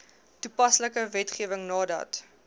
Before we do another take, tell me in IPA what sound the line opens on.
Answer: t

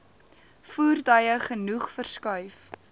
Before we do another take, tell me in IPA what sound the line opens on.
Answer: f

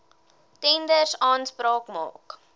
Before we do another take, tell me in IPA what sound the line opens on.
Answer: t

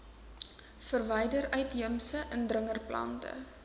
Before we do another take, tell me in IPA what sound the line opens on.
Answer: f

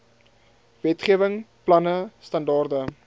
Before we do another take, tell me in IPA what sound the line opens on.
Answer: v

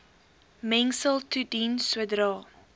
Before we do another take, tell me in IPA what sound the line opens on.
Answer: m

